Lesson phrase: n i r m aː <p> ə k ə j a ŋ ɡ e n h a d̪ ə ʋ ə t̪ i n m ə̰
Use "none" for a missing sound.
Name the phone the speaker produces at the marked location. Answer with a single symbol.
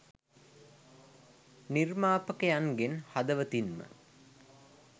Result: p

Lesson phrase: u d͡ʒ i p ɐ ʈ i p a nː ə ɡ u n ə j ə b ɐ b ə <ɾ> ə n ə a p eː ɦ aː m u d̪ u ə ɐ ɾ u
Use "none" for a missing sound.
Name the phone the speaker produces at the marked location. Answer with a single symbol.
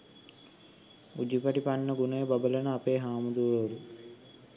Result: l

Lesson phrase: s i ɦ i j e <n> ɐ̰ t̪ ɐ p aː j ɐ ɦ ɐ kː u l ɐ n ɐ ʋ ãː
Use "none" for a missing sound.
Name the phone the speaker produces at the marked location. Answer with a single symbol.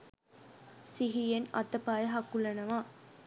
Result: n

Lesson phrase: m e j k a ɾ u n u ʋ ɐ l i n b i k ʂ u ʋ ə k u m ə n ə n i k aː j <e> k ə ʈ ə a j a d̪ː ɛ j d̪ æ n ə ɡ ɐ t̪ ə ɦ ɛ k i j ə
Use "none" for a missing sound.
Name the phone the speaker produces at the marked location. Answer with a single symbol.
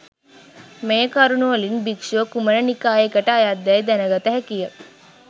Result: e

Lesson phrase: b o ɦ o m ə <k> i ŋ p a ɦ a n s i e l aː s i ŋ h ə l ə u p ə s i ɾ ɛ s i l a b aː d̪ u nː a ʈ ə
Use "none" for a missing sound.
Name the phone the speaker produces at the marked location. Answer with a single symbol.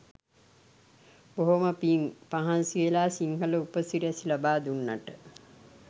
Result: p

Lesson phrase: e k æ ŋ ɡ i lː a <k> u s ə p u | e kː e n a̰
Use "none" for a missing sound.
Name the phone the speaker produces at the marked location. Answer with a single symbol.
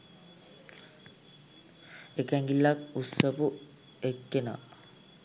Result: k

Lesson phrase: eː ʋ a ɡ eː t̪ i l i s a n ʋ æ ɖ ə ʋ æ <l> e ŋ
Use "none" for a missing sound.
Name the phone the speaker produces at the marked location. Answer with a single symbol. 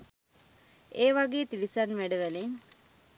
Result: l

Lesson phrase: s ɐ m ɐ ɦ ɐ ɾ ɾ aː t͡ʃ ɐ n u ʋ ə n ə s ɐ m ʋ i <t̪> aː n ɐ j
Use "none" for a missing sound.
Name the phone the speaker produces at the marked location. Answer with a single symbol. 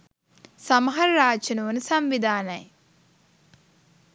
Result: d̪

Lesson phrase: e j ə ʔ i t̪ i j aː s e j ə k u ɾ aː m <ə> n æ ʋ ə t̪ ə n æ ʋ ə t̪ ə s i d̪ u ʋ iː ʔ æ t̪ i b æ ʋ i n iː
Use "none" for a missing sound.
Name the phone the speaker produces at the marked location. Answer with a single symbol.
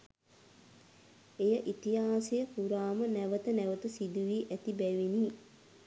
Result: ə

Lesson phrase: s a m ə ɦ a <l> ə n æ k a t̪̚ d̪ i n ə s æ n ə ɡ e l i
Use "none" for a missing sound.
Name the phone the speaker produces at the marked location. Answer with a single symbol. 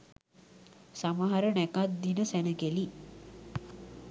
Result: ɾ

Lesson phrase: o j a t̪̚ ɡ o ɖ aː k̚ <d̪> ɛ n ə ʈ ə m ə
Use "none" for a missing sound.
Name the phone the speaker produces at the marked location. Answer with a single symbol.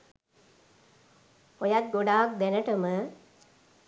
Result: d̪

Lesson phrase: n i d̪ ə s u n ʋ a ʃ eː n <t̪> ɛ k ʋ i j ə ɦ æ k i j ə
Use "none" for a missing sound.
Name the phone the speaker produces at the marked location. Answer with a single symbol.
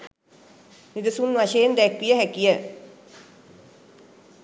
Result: d̪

